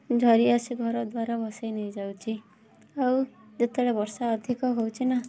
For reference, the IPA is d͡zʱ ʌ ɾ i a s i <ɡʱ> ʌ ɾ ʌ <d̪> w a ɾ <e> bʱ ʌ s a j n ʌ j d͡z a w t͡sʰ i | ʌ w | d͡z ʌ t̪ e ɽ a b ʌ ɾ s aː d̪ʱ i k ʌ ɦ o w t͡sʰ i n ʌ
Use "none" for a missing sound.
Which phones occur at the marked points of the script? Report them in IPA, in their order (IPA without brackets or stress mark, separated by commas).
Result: ɡʱ, d̪, a